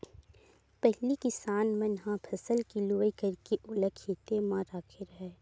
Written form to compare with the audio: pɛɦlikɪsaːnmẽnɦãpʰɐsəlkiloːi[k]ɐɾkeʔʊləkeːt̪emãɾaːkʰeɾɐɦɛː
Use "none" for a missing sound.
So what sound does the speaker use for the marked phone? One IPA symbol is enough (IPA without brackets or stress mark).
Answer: k